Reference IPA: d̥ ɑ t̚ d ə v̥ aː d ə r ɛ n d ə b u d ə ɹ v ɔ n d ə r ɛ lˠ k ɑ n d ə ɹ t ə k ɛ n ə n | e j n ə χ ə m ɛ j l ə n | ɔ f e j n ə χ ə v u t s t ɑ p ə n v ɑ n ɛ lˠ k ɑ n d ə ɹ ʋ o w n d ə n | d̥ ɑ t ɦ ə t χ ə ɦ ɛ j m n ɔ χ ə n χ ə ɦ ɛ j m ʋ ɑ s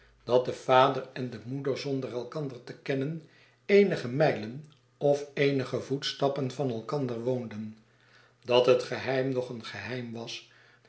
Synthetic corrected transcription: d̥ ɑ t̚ d ə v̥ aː d ə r ɛ n d ə m u d ə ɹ z ɔ n d ə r ɛ lˠ k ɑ n d ə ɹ t ə k ɛ n ə n | e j n ə χ ə m ɛ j l ə n | ɔ f e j n ə χ ə v u t s t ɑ p ə n v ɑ n ɛ lˠ k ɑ n d ə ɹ ʋ o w n d ə n | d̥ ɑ t ɦ ə t χ ə ɦ ɛ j m n ɔ χ ə n χ ə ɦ ɛ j m ʋ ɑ s